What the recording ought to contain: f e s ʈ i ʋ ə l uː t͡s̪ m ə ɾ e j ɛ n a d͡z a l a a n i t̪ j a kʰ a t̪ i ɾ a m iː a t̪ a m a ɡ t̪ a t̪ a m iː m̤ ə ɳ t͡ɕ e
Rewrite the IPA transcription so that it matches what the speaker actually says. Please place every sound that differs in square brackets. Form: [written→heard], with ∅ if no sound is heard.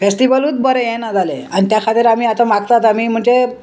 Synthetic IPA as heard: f e s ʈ i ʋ ə l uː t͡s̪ [m→b] ə ɾ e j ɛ n a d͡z a l [a→e] a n i t̪ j a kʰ a t̪ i ɾ a m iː a t̪ a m a ɡ t̪ a t̪ a m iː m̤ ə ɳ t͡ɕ e

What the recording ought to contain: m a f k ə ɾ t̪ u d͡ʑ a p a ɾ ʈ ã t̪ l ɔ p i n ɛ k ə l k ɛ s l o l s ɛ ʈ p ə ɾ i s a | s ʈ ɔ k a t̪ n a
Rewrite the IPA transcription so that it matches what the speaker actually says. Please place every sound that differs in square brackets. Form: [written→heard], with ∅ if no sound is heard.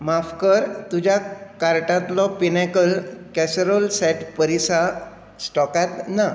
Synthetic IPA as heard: m a f k ə ɾ t̪ u d͡ʑ a [p→k] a ɾ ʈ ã t̪ l ɔ p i n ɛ k ə l k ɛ s [l→ɾ] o l s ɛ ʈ p ə ɾ i s a | s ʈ ɔ k a t̪ n a

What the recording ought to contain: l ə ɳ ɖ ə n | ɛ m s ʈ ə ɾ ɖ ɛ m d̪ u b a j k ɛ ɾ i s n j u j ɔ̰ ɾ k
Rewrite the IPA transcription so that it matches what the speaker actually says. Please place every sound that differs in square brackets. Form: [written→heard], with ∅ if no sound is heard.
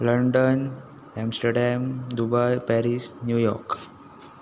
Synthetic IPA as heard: l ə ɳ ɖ ə n | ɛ m s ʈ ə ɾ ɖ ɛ m d̪ u b a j [k→p] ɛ ɾ i s n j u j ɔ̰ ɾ k

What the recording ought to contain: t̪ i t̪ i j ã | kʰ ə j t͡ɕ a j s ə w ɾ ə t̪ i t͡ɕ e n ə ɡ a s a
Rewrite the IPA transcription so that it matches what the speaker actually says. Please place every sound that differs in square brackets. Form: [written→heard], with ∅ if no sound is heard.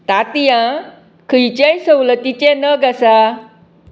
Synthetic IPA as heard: t̪ [i→a] t̪ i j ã | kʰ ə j t͡ɕ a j s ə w [ɾ→l] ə t̪ i t͡ɕ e n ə ɡ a s a

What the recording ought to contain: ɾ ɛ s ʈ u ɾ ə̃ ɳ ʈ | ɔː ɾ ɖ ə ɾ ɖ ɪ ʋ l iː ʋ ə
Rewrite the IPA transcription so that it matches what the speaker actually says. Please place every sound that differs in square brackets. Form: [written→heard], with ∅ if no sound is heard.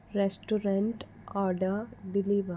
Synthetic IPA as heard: ɾ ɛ s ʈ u ɾ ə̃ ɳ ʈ | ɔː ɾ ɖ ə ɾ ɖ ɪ [ʋ→∅] l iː ʋ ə

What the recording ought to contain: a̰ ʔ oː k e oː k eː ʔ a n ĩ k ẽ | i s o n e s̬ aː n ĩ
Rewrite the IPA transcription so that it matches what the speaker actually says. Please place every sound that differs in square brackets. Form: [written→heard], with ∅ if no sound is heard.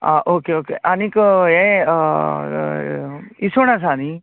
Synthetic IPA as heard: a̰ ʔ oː k e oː k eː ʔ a n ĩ k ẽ | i s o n [e→a] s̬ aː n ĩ

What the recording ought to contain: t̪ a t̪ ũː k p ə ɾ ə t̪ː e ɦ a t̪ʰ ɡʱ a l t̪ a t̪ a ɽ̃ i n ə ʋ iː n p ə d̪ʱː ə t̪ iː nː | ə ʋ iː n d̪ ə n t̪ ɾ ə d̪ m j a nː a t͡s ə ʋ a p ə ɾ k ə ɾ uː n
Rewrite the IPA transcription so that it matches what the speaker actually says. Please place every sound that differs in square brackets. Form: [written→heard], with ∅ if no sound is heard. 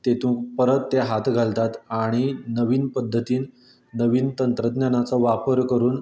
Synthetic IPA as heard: t̪ [a→e] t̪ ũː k p ə ɾ ə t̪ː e ɦ a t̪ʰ ɡʱ a l t̪ a t̪ a ɽ̃ i n ə ʋ iː n p ə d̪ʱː ə t̪ iː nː | ə ʋ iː n [d̪→t̪] ə n t̪ ɾ ə d̪ [m→n] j a [nː→n] a t͡s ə ʋ a p ə ɾ k ə ɾ uː n

